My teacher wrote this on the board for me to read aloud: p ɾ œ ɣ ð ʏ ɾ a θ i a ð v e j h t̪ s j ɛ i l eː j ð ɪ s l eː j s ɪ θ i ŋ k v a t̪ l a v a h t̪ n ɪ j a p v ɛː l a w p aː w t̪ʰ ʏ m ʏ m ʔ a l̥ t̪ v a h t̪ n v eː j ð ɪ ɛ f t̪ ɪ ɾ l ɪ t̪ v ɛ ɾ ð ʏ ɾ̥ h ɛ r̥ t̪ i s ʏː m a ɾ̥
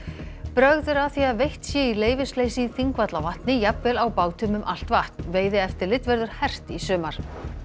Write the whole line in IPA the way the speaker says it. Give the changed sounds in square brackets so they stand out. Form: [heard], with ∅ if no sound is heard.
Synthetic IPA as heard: p ɾ œ ɣ ð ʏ ɾ a θ i a ð v e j h t̪ s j ɛ i l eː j [v] ɪ s l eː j s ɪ θ i ŋ k v a t̪ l a v a h t̪ n ɪ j a p v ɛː l a w p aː w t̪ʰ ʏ m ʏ m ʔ a l̥ t̪ v a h t̪ n v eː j ð ɪ ɛ f t̪ ɪ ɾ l ɪ t̪ v ɛ ɾ ð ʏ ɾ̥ h ɛ r̥ t̪ i s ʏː m a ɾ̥